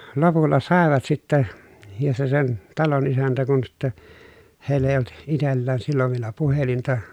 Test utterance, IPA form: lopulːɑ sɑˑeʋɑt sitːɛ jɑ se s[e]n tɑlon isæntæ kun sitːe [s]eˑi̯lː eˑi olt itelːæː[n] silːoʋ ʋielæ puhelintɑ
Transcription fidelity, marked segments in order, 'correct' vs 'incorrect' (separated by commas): correct, incorrect, correct